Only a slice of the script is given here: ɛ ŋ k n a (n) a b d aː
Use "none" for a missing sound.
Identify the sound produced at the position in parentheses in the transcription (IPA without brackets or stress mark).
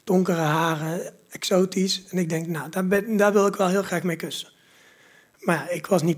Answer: d